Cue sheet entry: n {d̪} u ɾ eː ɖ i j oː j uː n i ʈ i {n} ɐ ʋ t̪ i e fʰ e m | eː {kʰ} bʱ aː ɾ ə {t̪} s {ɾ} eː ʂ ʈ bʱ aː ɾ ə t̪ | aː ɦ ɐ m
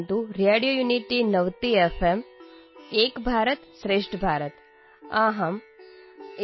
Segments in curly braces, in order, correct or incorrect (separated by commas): incorrect, correct, incorrect, correct, correct